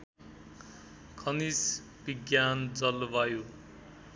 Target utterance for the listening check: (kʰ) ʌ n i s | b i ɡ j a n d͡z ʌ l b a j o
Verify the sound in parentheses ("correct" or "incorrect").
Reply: correct